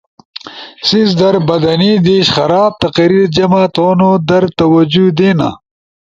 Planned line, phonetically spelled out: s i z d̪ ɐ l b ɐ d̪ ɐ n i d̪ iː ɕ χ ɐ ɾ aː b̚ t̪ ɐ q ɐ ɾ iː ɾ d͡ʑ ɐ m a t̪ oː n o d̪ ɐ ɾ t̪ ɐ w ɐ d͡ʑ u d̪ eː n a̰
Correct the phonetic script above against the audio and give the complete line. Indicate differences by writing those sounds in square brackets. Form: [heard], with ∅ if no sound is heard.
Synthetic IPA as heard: s i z d̪ ɐ [ɾ] b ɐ d̪ ɐ n i d̪ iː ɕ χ ɐ ɾ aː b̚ t̪ ɐ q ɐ ɾ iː ɾ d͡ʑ ɐ m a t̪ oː n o d̪ ɐ ɾ t̪ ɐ w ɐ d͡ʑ u d̪ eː n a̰